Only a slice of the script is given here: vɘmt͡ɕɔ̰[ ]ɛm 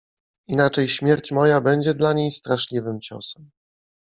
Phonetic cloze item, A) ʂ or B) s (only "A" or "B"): B